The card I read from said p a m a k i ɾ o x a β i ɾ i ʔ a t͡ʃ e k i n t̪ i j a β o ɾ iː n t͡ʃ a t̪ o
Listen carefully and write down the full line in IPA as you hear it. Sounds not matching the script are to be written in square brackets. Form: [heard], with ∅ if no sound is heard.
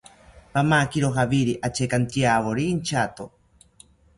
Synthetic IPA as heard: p a m a k i ɾ o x a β i ɾ i ʔ a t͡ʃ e k [a] n t̪ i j a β o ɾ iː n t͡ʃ a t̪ o